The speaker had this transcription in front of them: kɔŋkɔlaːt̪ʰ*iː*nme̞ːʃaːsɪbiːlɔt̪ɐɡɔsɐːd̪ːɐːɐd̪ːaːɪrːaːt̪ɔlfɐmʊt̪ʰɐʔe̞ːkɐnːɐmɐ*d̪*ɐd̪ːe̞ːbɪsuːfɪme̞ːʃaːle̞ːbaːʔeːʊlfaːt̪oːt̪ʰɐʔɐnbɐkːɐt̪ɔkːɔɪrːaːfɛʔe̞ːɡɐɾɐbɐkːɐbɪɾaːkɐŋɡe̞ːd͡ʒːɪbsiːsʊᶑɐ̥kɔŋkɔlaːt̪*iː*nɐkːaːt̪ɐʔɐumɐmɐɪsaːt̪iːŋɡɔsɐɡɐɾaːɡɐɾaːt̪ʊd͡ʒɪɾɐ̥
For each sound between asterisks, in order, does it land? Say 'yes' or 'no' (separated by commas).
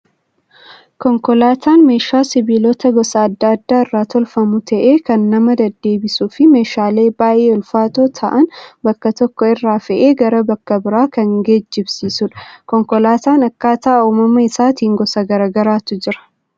no, yes, no